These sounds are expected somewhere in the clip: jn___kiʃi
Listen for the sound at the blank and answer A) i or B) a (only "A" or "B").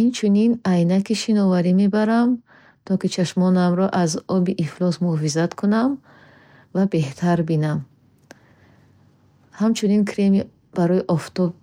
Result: B